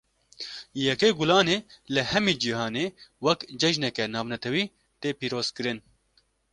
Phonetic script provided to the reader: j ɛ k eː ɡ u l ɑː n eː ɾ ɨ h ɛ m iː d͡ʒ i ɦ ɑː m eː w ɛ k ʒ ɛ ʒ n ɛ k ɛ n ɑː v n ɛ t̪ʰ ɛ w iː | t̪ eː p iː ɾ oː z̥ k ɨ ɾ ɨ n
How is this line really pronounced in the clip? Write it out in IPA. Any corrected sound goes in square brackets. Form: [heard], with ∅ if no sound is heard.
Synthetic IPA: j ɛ k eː ɡ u l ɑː n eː [l] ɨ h ɛ m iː d͡ʒ i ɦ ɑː [n] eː w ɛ k [d͡ʒ] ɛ ʒ n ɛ k ɛ n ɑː v n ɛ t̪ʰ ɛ w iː | t̪ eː p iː ɾ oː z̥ k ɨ ɾ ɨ n